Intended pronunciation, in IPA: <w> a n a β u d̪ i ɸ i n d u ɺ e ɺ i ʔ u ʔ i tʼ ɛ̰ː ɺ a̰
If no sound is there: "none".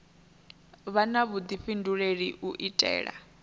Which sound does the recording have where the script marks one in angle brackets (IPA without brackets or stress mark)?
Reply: β